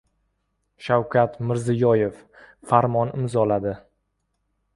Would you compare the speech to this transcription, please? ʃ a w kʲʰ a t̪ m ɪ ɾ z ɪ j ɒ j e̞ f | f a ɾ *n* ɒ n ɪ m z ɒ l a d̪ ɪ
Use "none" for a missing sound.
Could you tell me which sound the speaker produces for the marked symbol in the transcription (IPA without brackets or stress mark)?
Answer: m